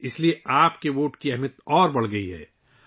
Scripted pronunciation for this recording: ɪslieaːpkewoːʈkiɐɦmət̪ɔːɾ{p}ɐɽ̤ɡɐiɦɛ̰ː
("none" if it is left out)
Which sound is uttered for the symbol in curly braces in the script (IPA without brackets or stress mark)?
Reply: b